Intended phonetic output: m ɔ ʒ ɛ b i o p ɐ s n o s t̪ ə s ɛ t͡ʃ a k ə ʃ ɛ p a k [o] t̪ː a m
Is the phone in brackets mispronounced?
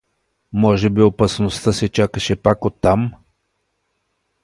no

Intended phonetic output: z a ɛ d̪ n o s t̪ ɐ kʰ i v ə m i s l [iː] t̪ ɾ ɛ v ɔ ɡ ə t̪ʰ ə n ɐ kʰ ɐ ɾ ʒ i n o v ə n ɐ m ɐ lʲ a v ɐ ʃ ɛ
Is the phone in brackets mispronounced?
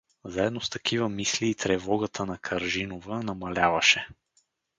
no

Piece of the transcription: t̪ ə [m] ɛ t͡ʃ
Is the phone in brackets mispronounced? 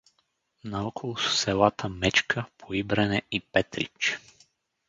no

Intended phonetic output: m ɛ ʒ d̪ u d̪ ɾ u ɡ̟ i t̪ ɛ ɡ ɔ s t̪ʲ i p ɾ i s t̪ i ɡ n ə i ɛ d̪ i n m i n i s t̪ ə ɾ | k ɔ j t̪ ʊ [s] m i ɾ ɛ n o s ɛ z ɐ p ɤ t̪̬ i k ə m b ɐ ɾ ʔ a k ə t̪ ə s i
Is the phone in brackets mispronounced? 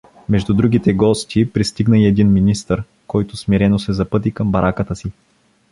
no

